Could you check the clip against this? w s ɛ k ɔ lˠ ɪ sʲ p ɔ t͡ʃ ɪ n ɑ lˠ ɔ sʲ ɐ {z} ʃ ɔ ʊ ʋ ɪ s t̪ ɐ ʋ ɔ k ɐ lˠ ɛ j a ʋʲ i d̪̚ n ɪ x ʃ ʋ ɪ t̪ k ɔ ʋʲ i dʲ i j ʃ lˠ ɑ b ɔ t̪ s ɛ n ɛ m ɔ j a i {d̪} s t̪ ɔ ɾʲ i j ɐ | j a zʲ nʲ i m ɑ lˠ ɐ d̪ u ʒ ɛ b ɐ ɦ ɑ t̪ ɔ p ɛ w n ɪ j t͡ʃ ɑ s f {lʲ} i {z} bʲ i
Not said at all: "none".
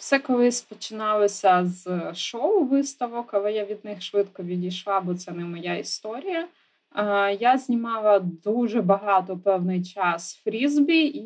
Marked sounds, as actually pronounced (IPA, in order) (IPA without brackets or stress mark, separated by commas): z, none, ɾʲ, z